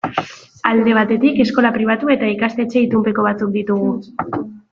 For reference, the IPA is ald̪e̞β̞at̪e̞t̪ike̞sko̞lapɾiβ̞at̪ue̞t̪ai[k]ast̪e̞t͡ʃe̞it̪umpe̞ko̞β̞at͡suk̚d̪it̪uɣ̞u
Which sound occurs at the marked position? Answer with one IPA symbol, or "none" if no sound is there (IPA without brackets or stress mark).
k